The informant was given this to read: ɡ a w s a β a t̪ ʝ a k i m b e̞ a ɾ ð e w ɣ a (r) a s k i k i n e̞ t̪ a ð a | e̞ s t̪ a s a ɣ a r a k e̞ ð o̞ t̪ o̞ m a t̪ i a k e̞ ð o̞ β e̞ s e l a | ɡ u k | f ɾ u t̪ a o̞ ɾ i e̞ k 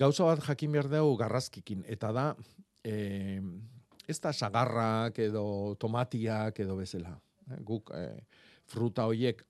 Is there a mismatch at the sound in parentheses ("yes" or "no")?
no